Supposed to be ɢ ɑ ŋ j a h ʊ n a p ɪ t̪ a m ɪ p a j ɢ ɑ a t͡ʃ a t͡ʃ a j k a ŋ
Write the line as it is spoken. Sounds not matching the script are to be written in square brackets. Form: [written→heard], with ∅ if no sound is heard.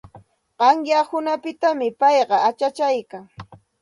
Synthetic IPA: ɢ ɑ ŋ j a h ʊ n a p ɪ t̪ a m ɪ p [a→ɑ] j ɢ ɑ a t͡ʃ a t͡ʃ a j k a ŋ